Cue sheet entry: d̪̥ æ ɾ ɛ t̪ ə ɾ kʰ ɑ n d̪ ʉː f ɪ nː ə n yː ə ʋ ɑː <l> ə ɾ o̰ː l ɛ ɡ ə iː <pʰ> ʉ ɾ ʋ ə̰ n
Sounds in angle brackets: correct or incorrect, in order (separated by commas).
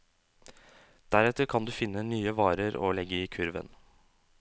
incorrect, incorrect